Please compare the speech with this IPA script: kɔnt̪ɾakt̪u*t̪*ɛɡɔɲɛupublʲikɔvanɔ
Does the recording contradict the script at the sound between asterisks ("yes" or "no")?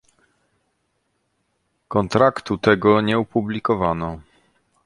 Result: no